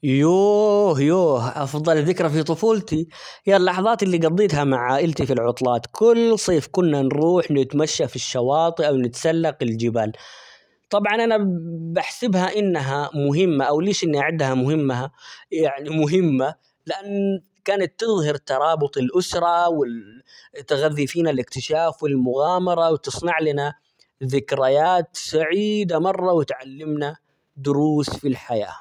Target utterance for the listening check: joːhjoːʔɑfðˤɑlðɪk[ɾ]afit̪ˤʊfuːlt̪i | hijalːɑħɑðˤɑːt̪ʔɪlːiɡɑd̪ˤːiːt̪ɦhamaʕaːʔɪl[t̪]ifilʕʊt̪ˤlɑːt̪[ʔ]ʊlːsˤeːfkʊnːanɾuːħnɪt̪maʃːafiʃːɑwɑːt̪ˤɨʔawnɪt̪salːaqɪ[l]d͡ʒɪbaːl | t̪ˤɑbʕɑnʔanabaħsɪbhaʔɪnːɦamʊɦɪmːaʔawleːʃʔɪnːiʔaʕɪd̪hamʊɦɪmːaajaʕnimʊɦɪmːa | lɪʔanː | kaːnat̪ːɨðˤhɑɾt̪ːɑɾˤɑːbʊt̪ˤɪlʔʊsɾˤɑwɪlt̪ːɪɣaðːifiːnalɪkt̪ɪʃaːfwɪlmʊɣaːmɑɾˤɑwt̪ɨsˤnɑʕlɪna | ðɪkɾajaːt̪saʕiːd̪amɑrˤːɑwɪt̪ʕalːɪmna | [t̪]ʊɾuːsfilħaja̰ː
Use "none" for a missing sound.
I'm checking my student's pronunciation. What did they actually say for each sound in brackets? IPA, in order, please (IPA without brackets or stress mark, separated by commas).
ɾ, t̪, k, l, d̪